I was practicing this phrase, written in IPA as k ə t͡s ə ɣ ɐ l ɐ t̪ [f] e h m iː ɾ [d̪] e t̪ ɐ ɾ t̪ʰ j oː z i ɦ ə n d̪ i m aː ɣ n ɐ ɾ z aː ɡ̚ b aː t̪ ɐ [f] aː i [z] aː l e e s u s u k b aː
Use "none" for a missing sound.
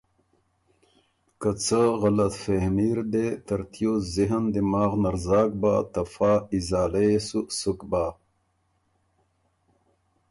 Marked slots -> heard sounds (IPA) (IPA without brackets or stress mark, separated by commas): f, d̪, f, z